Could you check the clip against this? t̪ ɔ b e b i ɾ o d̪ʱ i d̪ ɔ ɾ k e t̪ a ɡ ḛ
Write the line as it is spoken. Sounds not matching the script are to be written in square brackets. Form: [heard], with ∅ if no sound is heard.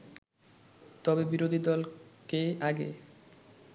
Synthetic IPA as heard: t̪ ɔ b e b i ɾ o d̪ʱ i d̪ ɔ [l] k e [∅] a ɡ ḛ